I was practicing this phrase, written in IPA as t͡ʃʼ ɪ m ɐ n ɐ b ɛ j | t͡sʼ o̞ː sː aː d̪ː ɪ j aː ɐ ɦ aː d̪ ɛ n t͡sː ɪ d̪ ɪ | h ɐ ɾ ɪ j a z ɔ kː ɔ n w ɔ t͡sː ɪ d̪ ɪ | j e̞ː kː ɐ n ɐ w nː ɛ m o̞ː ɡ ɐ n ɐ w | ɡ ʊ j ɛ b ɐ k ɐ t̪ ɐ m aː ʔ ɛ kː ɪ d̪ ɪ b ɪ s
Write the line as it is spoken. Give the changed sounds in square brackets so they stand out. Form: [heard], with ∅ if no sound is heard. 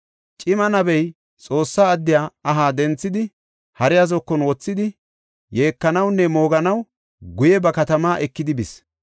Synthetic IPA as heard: t͡ʃʼ ɪ m ɐ n ɐ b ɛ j | t͡sʼ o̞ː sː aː d̪ː ɪ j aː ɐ ɦ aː d̪ ɛ n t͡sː ɪ d̪ ɪ | h ɐ ɾ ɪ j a z ɔ kː ɔ n w ɔ t͡sː ɪ d̪ ɪ | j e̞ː kː ɐ n ɐ w nː ɛ m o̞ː ɡ ɐ n ɐ w | ɡ ʊ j ɛ b ɐ k ɐ t̪ ɐ m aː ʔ ɛ kː ɪ d̪ ɪ b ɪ s

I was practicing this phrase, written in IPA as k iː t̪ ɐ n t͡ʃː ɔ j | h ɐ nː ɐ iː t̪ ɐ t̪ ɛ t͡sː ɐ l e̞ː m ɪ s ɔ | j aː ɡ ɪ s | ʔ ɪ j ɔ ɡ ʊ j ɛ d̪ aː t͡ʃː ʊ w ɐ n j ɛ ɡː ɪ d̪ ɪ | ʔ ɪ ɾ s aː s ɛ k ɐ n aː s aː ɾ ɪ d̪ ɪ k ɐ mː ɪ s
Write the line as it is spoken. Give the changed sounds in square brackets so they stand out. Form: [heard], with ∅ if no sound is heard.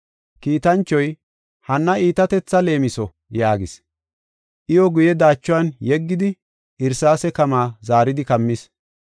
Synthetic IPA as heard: k iː t̪ ɐ n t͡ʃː ɔ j | h ɐ nː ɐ iː t̪ ɐ t̪ ɛ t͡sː ɐ l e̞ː m ɪ s ɔ | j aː ɡ ɪ s | ʔ ɪ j ɔ ɡ ʊ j ɛ d̪ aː t͡ʃː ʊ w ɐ n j ɛ ɡː ɪ d̪ ɪ | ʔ ɪ ɾ s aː s ɛ k ɐ [m] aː [z] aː ɾ ɪ d̪ ɪ k ɐ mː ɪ s

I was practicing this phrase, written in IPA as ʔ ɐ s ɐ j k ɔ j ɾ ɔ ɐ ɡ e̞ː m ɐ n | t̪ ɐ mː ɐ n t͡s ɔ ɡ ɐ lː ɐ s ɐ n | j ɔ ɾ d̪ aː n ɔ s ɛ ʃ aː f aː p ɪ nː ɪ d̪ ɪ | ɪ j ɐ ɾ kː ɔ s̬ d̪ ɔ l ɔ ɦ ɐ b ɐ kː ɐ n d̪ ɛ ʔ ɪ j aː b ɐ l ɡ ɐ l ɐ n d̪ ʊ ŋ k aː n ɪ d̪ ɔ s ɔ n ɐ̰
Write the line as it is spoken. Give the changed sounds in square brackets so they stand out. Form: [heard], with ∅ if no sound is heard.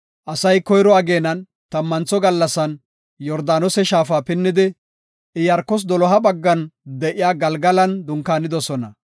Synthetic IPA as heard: ʔ ɐ s ɐ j k ɔ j ɾ ɔ ɐ ɡ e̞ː [n] ɐ n | t̪ ɐ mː ɐ n t͡s ɔ ɡ ɐ lː ɐ s ɐ n | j ɔ ɾ d̪ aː n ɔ s ɛ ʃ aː f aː p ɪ nː ɪ d̪ ɪ | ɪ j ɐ ɾ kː ɔ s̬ d̪ ɔ l ɔ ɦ ɐ b ɐ [ɡː] ɐ n d̪ ɛ ʔ ɪ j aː [ɡ] ɐ l ɡ ɐ l ɐ n d̪ ʊ ŋ k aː n ɪ d̪ ɔ s ɔ n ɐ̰

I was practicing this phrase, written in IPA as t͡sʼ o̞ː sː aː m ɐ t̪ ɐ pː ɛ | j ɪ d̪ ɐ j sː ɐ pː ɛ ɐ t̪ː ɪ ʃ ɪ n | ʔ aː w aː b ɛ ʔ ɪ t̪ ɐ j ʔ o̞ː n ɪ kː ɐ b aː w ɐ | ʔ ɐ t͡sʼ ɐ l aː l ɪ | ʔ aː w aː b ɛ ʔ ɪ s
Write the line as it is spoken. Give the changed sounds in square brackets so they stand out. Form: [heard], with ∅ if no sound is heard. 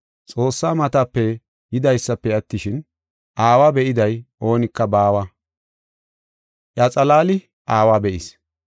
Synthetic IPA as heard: t͡sʼ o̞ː sː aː m ɐ t̪ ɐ pː ɛ | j ɪ d̪ ɐ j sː ɐ pː ɛ ɐ t̪ː ɪ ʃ ɪ n | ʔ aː w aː b ɛ ʔ ɪ [d̪] ɐ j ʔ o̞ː n ɪ kː ɐ b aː w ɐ | ʔ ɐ t͡sʼ ɐ l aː l ɪ | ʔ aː w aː b ɛ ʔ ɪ s

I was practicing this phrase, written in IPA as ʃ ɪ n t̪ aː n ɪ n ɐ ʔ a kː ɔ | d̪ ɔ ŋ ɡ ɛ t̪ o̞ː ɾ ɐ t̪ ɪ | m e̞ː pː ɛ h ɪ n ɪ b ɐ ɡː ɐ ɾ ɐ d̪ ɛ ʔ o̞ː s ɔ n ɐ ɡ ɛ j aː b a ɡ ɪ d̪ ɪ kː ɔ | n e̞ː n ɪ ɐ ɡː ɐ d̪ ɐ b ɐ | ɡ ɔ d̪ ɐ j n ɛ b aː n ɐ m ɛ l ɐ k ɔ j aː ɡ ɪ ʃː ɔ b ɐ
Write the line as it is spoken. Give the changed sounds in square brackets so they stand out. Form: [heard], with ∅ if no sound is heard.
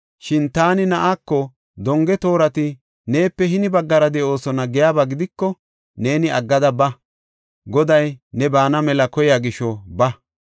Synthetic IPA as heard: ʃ ɪ n t̪ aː n ɪ n ɐ ʔ a kː ɔ | d̪ ɔ ŋ ɡ ɛ t̪ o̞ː ɾ ɐ t̪ ɪ | [n] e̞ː pː ɛ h ɪ n ɪ b ɐ ɡː ɐ ɾ ɐ d̪ ɛ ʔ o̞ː s ɔ n ɐ ɡ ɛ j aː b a ɡ ɪ d̪ ɪ kː ɔ | n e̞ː n ɪ ɐ ɡː ɐ d̪ ɐ b ɐ | ɡ ɔ d̪ ɐ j n ɛ b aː n ɐ m ɛ l ɐ k ɔ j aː ɡ ɪ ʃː ɔ b ɐ

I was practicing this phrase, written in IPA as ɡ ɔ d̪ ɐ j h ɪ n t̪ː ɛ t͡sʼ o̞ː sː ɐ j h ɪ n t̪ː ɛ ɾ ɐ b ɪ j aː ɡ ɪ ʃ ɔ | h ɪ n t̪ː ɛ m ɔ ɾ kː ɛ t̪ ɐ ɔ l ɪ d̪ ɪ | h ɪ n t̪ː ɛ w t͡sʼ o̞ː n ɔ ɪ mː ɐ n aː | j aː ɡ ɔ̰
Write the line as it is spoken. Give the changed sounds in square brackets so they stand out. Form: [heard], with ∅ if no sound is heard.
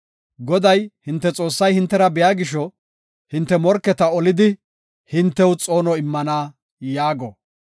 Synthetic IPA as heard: ɡ ɔ d̪ ɐ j h ɪ n t̪ː ɛ t͡sʼ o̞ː sː ɐ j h ɪ n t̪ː ɛ ɾ ɐ b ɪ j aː ɡ ɪ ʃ ɔ | h ɪ n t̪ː ɛ m ɔ ɾ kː ɛ t̪ ɐ ɔ l ɪ d̪ ɪ | h ɪ n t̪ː ɛ w t͡sʼ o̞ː n ɔ ɪ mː ɐ n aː | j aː ɡ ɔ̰

